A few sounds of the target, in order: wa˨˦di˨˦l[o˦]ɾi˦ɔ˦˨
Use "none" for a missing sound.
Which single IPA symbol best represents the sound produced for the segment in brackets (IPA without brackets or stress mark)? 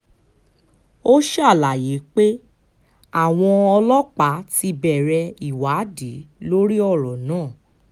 o˦